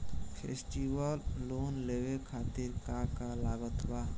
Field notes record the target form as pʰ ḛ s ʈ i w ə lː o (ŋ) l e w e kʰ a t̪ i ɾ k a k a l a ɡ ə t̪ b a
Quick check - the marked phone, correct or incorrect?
incorrect